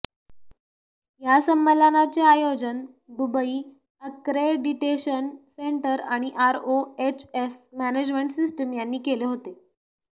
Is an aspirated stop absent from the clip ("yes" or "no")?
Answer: yes